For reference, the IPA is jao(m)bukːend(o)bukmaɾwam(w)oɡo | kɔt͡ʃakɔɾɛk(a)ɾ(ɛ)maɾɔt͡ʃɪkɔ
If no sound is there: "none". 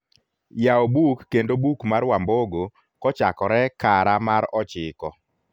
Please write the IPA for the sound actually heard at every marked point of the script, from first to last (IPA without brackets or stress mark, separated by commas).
none, o, b, a, a